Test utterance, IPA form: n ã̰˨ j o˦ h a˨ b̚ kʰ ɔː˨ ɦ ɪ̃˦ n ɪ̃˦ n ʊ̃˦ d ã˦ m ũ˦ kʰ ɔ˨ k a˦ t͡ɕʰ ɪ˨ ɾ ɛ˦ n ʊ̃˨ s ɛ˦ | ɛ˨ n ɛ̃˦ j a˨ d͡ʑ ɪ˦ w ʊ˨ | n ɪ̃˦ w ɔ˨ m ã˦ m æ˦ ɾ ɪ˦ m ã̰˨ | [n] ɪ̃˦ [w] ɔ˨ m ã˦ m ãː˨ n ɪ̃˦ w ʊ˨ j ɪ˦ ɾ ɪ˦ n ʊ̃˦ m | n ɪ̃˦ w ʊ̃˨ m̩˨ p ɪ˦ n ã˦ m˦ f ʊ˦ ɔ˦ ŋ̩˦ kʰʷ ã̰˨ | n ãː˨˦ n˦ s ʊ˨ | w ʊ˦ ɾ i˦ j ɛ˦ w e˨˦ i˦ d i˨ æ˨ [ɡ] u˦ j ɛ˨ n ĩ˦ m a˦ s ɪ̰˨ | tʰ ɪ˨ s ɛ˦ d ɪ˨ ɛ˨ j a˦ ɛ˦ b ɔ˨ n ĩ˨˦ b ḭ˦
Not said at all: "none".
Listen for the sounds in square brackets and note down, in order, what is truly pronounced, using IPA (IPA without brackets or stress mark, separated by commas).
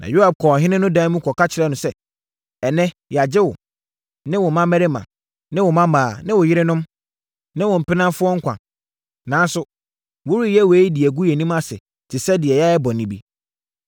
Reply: n, w, ɡ